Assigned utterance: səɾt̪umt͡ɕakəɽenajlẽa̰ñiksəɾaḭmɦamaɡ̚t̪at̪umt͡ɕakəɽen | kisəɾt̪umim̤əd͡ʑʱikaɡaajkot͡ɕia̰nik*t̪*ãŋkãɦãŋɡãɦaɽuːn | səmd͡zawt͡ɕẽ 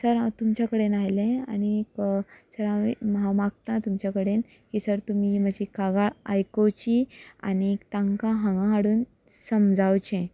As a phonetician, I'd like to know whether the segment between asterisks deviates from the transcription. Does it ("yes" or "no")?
no